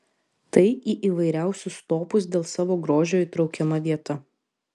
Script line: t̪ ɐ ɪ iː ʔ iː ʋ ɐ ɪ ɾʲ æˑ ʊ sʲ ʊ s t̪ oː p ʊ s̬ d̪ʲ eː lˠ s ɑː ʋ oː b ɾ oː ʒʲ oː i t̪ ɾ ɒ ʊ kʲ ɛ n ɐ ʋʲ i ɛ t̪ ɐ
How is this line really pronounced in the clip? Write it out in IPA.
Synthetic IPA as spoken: t̪ ɐ ɪ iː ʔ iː ʋ ɐ ɪ ɾʲ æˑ ʊ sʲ ʊ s t̪ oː p ʊ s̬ d̪ʲ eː lˠ s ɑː ʋ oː ɡ ɾ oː ʒʲ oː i t̪ ɾ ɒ ʊ kʲ ɛ m ɐ ʋʲ i ɛ t̪ ɐ